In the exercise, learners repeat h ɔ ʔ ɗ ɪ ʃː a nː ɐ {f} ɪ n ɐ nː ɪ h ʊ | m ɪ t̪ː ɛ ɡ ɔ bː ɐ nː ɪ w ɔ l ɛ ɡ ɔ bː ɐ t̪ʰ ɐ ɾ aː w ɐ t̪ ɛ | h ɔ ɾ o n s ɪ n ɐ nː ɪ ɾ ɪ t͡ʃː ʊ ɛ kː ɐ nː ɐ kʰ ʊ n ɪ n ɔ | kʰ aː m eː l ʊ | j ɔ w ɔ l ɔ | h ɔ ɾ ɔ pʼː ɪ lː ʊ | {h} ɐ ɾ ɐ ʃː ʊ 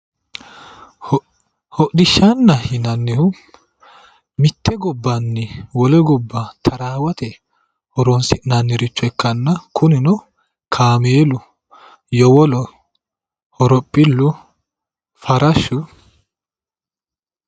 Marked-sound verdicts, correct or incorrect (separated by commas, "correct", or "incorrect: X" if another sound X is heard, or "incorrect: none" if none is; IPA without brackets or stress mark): incorrect: h, incorrect: f